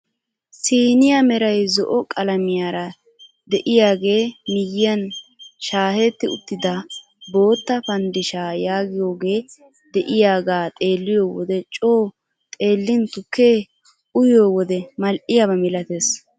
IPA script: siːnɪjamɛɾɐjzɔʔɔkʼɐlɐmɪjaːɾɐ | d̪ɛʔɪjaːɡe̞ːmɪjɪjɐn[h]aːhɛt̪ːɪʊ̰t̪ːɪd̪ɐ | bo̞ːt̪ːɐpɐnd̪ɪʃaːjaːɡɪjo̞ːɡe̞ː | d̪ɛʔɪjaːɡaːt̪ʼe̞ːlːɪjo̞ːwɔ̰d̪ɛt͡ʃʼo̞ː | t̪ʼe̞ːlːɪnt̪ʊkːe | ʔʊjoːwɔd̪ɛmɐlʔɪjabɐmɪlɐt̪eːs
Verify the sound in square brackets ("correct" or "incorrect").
incorrect